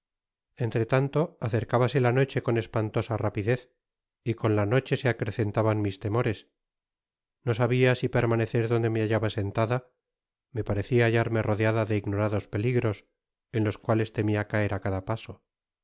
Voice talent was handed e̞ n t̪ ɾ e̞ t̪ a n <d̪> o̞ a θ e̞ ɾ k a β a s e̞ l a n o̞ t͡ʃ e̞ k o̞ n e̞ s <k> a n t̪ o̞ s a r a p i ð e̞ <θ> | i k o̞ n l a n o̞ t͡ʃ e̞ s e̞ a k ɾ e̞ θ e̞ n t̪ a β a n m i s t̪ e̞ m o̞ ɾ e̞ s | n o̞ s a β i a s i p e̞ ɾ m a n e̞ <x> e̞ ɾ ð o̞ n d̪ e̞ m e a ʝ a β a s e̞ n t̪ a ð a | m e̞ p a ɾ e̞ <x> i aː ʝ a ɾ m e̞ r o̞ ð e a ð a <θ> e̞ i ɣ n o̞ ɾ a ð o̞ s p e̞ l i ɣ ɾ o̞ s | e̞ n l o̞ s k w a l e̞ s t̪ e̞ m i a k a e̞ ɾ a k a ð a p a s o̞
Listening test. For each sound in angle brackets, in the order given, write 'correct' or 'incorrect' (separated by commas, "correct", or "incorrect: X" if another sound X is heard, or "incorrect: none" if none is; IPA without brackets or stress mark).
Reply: incorrect: t̪, incorrect: p, correct, incorrect: θ, incorrect: θ, incorrect: ð